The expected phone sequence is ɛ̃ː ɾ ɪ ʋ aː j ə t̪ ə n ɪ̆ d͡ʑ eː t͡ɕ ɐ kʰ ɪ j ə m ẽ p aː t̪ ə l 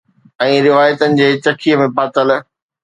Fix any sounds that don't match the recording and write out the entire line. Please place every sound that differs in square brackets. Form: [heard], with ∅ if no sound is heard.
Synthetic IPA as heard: ɛ̃ː ɾ ɪ ʋ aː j ə t̪ ə n ɪ̆ d͡ʑ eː t͡ɕ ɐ kʰ [i] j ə m ẽ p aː t̪ ə l